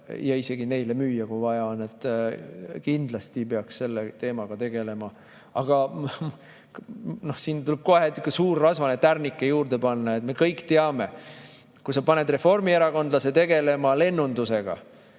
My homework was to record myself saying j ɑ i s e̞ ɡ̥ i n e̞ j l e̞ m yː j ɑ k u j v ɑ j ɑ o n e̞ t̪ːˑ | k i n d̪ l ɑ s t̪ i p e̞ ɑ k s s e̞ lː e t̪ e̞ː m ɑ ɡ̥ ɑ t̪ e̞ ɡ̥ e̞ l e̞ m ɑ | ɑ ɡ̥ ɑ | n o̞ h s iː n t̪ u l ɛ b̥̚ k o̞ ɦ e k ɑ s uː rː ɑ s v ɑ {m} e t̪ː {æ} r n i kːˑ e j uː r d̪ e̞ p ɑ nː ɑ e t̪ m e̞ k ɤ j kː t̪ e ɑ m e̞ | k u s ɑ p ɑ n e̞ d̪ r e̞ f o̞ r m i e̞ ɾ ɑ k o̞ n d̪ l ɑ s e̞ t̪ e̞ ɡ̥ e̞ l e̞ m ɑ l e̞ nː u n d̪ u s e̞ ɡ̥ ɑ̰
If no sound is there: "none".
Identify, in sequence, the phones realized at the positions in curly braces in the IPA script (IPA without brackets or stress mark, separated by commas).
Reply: n, æ